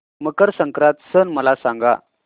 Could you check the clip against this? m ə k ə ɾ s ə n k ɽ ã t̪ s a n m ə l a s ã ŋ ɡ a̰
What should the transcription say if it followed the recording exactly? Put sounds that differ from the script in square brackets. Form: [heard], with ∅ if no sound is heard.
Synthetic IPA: m ə k ə ɾ s ə [ŋ] k [ɾ] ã t̪ s [ə] n m ə l a s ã ŋ ɡ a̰